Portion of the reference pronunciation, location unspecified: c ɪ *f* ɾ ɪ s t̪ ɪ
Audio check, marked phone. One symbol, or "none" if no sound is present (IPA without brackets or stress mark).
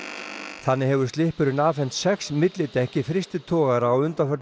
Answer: f